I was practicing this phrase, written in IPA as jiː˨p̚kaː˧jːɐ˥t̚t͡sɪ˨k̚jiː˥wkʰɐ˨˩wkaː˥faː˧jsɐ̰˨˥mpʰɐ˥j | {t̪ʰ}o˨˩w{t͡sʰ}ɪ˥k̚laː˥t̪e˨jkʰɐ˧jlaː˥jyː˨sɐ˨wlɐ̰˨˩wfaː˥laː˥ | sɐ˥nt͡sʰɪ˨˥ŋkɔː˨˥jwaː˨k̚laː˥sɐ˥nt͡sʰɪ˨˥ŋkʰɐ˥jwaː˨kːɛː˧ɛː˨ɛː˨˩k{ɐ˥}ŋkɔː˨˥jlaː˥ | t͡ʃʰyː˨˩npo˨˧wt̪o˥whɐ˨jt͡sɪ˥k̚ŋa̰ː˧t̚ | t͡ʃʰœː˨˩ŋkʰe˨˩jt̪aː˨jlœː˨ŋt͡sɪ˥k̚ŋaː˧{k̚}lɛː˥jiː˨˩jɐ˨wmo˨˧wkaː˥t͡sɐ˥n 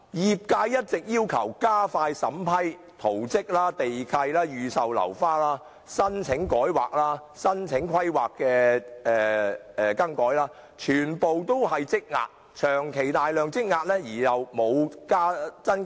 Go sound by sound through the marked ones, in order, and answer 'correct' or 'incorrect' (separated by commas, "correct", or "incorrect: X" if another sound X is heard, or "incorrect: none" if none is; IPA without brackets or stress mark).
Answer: correct, incorrect: t͡s, correct, incorrect: t̚